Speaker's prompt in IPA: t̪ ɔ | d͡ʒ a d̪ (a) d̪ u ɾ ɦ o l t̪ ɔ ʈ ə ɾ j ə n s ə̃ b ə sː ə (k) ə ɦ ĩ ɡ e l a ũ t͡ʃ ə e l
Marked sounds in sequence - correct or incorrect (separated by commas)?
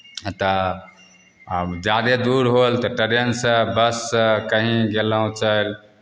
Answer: incorrect, correct